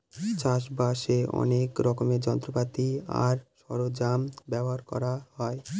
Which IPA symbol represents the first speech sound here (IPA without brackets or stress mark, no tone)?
t͡ɕ